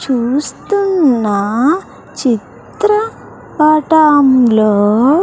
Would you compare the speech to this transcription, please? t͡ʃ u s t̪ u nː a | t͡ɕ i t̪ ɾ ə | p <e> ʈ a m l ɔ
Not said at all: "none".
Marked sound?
a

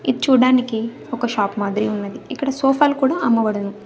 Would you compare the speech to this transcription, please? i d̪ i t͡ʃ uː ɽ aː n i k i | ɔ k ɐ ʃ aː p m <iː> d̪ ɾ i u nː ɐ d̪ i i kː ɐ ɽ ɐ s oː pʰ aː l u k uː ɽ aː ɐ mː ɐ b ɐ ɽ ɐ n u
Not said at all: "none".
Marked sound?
aː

